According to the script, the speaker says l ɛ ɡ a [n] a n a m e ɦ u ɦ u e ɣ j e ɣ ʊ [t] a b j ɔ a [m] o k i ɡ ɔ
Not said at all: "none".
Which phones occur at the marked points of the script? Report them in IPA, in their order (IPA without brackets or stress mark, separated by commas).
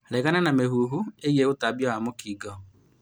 n, t, m